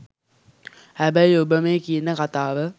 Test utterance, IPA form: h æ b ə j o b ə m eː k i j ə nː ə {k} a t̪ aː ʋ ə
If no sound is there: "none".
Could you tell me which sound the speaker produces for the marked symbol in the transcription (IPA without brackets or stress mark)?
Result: k